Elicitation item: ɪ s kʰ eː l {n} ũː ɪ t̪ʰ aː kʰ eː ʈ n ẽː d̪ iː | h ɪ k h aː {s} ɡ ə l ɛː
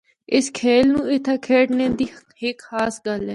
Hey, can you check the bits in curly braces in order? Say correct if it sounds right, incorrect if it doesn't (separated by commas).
correct, correct